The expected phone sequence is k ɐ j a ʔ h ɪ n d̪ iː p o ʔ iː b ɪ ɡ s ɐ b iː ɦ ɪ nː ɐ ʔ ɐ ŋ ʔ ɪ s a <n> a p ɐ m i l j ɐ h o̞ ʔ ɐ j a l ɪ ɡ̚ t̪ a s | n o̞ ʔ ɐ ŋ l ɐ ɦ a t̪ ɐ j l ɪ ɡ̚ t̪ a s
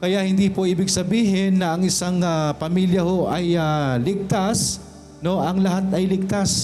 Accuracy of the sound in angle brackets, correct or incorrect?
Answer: incorrect